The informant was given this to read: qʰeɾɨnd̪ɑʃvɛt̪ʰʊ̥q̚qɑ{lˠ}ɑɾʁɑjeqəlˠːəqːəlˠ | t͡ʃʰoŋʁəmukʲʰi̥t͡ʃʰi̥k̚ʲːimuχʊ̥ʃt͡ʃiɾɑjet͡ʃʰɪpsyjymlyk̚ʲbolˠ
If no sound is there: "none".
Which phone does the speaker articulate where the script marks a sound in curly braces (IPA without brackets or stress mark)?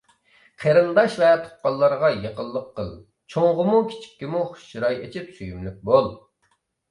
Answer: lˠː